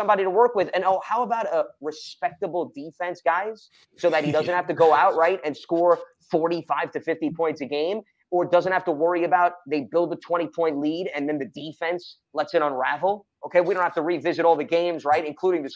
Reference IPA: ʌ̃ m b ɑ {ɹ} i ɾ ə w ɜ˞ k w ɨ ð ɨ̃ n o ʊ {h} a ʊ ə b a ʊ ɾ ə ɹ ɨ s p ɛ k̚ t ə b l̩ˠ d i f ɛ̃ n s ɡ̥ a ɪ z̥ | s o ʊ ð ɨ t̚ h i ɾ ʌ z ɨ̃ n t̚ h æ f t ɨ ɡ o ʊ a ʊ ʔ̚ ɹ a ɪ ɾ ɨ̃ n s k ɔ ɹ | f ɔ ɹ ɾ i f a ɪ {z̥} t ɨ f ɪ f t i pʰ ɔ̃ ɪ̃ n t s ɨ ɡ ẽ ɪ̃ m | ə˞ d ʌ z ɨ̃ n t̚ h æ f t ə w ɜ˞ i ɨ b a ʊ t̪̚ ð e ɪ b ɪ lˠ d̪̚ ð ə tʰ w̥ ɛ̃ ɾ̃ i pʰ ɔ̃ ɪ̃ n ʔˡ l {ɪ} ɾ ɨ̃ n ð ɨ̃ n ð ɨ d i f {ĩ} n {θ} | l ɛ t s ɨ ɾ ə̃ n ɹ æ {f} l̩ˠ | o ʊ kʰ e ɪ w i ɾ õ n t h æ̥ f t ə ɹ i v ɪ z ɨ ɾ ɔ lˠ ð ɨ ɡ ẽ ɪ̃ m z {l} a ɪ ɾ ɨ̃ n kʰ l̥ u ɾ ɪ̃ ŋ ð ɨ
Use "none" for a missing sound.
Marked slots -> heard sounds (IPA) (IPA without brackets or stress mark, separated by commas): ɾ, h, v̥, i, ɛ̃, s, v, ɹ